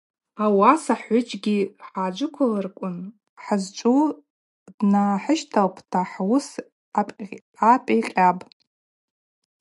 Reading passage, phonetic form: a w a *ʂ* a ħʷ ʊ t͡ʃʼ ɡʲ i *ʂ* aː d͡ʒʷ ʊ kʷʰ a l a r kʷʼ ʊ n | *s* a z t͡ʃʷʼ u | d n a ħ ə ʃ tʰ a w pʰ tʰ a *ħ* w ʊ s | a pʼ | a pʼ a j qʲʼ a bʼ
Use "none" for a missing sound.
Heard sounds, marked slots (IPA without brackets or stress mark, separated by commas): s, ħ, ħ, ħ